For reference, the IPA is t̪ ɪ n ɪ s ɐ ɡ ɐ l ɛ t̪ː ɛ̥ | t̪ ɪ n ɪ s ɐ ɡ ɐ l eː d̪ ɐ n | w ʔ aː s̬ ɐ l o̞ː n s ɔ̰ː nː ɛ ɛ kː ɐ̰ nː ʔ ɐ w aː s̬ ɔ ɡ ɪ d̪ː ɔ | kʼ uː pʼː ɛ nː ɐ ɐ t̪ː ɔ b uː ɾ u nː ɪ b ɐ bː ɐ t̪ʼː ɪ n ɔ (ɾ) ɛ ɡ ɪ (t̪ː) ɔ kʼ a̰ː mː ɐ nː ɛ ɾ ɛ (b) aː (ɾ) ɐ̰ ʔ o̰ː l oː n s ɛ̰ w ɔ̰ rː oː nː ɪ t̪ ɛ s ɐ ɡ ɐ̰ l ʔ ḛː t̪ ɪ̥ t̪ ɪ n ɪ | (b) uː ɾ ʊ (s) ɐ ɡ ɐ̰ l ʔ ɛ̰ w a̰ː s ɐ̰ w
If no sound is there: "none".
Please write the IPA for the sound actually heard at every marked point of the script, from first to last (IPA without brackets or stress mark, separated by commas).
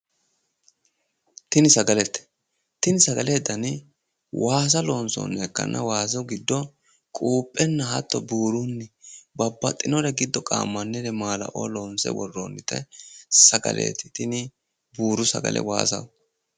ɾ, d̪ː, m, l, b, s